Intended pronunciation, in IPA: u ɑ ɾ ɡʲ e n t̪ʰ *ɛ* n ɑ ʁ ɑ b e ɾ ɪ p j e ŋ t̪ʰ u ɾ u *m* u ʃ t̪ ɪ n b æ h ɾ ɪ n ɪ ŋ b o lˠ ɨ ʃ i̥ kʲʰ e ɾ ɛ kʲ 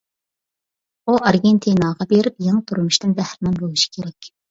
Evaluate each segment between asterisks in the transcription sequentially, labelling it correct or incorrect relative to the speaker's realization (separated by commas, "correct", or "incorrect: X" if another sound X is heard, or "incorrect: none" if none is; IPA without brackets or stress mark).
incorrect: i, correct